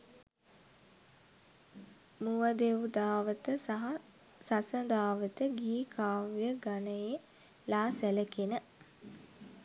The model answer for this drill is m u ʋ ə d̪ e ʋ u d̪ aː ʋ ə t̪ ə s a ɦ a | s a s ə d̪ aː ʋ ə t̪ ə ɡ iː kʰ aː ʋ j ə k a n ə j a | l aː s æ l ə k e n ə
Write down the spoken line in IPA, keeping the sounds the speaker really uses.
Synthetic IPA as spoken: m u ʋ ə d̪ e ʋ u d̪ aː ʋ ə t̪ ə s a ɦ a | s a s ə d̪ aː ʋ ə t̪ ə ɡ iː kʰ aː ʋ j ə ɡ a n ə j e | l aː s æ l ə k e n ə